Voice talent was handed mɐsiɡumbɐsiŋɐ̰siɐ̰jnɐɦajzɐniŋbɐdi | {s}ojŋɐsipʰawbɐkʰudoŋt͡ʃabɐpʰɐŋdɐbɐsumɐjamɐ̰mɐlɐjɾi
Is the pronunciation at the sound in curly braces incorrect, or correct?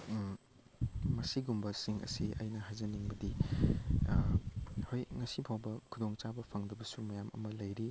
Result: incorrect